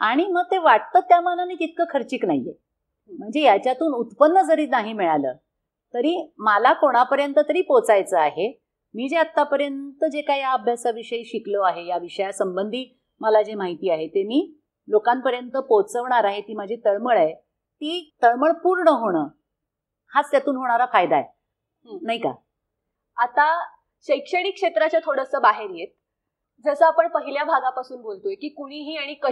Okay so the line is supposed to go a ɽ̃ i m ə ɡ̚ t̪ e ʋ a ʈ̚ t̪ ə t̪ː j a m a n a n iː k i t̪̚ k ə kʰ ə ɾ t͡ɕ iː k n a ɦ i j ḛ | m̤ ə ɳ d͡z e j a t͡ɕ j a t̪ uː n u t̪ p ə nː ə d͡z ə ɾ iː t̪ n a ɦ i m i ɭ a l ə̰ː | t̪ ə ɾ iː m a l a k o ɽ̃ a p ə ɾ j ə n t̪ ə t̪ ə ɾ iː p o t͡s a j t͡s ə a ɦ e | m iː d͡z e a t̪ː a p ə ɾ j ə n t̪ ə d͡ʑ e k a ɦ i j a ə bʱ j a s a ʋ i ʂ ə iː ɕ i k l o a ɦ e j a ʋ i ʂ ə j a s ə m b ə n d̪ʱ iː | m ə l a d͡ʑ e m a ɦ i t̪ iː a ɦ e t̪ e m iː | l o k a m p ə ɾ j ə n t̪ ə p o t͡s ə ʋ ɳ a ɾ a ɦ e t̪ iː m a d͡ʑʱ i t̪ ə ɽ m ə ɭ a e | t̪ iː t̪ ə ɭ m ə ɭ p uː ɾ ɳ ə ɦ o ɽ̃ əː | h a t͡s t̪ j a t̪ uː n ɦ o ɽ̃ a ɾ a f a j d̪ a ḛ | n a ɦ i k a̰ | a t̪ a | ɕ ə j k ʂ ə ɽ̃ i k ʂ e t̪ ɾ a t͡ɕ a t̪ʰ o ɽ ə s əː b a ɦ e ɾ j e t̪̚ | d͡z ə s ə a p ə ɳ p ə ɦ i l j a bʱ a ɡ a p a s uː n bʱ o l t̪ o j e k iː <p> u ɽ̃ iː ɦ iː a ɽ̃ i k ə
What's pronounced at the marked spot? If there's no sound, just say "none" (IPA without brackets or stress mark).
k